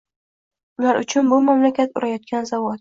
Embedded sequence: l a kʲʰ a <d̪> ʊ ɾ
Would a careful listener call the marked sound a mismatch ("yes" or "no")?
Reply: yes